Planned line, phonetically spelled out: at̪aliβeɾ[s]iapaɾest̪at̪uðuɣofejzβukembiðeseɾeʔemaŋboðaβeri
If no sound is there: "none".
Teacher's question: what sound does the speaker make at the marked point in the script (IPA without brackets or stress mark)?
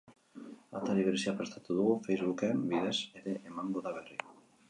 s